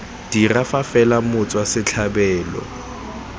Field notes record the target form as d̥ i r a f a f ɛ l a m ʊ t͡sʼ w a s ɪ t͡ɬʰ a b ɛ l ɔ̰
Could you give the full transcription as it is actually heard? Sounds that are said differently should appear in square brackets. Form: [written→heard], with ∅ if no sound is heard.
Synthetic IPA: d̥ i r a f a f ɛ l a m ʊ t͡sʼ w a s ɪ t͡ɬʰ a b [ɛ→ɛː] l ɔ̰